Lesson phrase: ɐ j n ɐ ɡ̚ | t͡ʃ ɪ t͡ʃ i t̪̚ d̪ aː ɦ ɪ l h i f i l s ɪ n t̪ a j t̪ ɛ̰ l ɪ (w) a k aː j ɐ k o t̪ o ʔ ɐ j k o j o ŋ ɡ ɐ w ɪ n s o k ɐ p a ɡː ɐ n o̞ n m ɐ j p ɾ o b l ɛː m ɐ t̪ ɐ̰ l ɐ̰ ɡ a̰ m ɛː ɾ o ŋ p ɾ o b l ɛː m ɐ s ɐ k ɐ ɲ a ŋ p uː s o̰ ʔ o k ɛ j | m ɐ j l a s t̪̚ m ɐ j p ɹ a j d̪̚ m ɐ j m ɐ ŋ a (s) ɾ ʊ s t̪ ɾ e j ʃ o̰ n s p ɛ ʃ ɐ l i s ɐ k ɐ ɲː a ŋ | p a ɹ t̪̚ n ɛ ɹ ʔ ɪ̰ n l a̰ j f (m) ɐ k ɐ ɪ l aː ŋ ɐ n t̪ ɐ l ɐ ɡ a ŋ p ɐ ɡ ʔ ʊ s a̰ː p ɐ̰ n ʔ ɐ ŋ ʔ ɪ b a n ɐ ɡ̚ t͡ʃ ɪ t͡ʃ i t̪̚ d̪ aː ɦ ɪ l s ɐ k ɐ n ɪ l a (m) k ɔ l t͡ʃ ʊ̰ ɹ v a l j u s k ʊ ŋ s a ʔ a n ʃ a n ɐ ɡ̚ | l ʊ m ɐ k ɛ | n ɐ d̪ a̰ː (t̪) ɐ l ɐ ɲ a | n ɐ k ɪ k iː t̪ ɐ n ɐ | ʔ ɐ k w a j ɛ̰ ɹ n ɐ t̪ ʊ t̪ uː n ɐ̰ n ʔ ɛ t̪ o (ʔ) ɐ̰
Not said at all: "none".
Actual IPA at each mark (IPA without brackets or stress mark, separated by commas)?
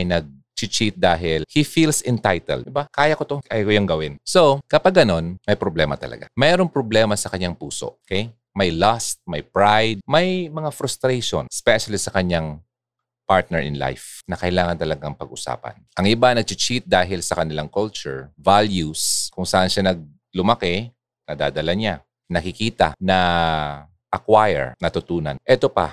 b, f, n, ŋ, d̪, p